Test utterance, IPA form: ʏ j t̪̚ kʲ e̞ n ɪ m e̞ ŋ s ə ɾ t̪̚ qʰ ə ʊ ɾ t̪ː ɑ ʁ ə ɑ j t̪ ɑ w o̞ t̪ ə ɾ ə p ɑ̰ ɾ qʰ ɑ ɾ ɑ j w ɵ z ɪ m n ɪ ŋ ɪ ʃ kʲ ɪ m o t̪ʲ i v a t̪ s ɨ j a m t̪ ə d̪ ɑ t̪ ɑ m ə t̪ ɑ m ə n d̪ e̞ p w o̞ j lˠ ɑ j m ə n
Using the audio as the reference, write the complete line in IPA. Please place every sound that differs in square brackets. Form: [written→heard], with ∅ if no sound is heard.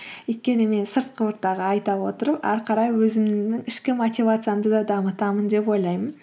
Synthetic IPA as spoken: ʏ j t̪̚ kʲ e̞ n ɪ m e̞ [ŋ→n] s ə ɾ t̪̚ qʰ ə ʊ ɾ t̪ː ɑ ʁ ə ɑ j t̪ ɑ w o̞ t̪ ə ɾ ə p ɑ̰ ɾ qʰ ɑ ɾ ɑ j w ɵ z ɪ m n ɪ ŋ ɪ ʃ kʲ ɪ m o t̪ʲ i v a t̪ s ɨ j a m [t̪→d̪] ə d̪ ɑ [t̪→d̪] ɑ m ə t̪ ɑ m ə n d̪ e̞ p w o̞ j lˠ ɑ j m ə n

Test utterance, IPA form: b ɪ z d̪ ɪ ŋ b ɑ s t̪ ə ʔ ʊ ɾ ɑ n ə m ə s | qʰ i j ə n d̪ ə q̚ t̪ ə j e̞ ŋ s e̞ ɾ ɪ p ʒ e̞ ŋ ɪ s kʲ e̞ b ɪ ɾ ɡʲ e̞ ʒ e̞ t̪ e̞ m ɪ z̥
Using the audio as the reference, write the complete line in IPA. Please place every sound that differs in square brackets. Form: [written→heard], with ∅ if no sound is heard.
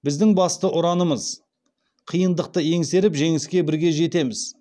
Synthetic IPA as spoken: b ɪ z d̪ ɪ ŋ b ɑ s t̪ ə ʔ ʊ ɾ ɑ n ə m ə [s→z] | qʰ i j ə n d̪ ə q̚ t̪ ə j e̞ ŋ s e̞ ɾ ɪ p ʒ e̞ ŋ ɪ s kʲ e̞ b ɪ ɾ ɡʲ e̞ ʒ e̞ t̪ e̞ m ɪ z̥

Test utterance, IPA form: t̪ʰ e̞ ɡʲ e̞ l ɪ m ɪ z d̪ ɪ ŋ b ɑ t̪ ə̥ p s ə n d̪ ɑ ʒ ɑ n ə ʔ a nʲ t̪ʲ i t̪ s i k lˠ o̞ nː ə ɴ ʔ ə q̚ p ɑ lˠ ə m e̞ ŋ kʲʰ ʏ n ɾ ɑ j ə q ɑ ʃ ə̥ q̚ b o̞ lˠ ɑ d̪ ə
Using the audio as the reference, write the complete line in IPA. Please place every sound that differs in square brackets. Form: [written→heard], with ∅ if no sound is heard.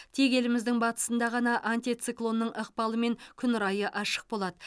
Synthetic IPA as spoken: t̪ʰ e̞ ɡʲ e̞ l ɪ m ɪ z d̪ ɪ ŋ b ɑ t̪ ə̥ [p→∅] s ə n d̪ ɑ [ʒ→ʁ] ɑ n [ə→ɑ] ʔ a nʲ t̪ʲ i t̪ s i k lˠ o̞ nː ə ɴ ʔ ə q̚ p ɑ lˠ ə m e̞ ŋ kʲʰ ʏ n ɾ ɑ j ə [q→ʔ] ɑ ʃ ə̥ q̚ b o̞ lˠ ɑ d̪ ə

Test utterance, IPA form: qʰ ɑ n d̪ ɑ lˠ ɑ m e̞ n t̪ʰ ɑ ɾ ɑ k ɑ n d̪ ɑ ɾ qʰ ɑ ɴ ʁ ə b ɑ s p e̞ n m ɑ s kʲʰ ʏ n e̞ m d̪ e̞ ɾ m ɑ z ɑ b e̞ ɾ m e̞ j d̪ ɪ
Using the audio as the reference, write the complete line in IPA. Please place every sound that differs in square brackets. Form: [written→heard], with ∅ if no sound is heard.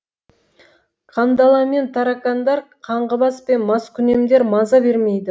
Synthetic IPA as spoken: qʰ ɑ n d̪ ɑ lˠ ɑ m e̞ n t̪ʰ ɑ ɾ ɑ k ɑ n d̪ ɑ ɾ qʰ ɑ ɴ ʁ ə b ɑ s p e̞ n m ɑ s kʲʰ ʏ n e̞ m d̪ e̞ ɾ m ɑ z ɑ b e̞ ɾ m e̞ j d̪ ɪ

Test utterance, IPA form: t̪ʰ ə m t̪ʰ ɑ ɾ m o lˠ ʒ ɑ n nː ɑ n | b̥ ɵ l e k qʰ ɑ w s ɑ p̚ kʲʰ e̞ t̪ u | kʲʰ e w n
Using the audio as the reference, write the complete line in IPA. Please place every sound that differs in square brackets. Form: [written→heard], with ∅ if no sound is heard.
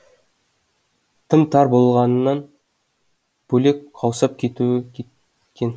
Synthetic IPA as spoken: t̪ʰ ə m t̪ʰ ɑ ɾ [m→b] o lˠ [ʒ→ʁ] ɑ n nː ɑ n | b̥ ɵ l e k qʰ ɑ w s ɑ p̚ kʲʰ e̞ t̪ u | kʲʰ e [w→∅] n

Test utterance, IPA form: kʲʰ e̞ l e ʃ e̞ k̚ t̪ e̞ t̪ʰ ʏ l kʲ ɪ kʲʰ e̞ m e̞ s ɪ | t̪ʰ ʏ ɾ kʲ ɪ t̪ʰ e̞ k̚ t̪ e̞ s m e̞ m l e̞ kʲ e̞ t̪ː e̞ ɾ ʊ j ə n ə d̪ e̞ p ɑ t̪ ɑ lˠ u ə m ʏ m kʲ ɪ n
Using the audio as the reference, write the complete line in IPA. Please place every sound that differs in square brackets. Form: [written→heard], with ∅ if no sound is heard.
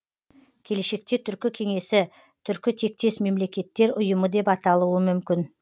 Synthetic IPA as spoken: kʲʰ e̞ l e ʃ e̞ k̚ t̪ e̞ t̪ʰ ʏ [l→ɾ] kʲ ɪ kʲʰ e̞ [m→ŋ] e̞ s ɪ | t̪ʰ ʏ ɾ kʲ ɪ t̪ʰ e̞ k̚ t̪ e̞ s m e̞ m l e̞ kʲ e̞ t̪ː e̞ ɾ ʊ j ə [n→m] ə d̪ e̞ p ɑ t̪ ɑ lˠ u ə m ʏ m kʲ ɪ n

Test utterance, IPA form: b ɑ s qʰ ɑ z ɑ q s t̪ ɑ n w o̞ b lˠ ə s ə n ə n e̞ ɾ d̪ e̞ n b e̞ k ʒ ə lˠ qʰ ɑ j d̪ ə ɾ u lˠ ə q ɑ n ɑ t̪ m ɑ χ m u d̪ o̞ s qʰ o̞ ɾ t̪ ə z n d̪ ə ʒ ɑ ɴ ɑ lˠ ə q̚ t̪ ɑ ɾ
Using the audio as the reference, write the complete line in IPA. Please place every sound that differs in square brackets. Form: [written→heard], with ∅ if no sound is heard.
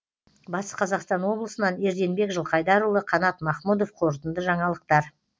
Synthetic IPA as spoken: b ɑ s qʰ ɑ z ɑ q s t̪ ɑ n w o̞ b lˠ ə s ə n [ə→ɑ] n e̞ ɾ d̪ e̞ n b e̞ k ʒ ə lˠ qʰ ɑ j d̪ [ə→ɑ] ɾ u lˠ ə [q→qʰ] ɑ n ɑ t̪ m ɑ χ m u d̪ o̞ [s→f] qʰ o̞ ɾ t̪ ə [z→∅] n d̪ ə ʒ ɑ ɴ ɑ lˠ ə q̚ t̪ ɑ ɾ

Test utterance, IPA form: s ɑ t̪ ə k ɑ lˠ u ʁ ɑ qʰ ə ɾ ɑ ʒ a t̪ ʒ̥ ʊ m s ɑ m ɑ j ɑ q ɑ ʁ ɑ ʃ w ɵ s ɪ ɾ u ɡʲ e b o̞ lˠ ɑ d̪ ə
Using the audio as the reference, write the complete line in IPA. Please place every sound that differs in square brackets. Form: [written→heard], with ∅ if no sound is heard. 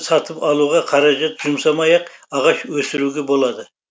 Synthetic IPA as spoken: s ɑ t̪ ə [k→p] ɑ lˠ u ʁ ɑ qʰ [ə→ɑ] ɾ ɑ ʒ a t̪ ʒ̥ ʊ m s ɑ m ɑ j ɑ q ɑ ʁ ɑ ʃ w ɵ s ɪ ɾ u ɡʲ e b o̞ lˠ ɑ d̪ ə

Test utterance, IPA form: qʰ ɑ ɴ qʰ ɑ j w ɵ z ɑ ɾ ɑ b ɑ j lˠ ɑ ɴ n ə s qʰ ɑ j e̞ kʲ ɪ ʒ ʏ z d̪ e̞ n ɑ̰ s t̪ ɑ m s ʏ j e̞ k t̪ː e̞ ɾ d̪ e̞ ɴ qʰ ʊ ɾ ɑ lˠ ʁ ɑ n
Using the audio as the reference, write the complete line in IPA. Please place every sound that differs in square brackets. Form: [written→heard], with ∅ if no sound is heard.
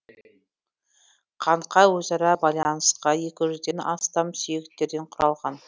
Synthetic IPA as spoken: qʰ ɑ ɴ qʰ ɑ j w ɵ z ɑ ɾ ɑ b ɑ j lˠ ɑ [ɴ→∅] n ə s [qʰ→q] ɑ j e̞ kʲ ɪ ʒ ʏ z d̪ e̞ n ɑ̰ s t̪ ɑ m s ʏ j e̞ k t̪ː e̞ ɾ d̪ e̞ ɴ qʰ ʊ ɾ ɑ lˠ ʁ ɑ n

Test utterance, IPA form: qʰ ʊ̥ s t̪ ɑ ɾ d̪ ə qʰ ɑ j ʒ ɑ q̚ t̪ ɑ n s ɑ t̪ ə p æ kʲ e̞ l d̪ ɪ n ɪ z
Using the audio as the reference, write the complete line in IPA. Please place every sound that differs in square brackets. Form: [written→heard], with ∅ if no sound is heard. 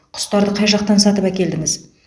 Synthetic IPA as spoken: qʰ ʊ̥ s t̪ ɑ ɾ d̪ ə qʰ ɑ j ʒ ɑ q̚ t̪ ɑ n s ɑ t̪ ə p æ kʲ e̞ l d̪ ɪ [n→ŋ] ɪ z

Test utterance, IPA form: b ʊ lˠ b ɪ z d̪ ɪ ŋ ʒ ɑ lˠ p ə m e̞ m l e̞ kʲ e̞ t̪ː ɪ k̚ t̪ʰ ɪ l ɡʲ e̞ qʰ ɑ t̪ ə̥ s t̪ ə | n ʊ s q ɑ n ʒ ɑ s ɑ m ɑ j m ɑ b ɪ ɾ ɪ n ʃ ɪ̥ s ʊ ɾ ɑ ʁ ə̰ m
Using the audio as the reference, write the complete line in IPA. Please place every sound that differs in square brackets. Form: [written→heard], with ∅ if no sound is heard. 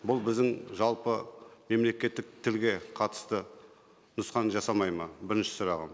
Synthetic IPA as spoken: b ʊ lˠ b ɪ z d̪ ɪ ŋ ʒ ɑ lˠ p ə m e̞ m l e̞ kʲ e̞ t̪ː ɪ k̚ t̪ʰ ɪ l ɡʲ e̞ qʰ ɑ t̪ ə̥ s t̪ ə | n ʊ s q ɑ n ʒ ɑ s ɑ m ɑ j m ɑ b ɪ ɾ ɪ n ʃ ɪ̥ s ʊ ɾ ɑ ʁ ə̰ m

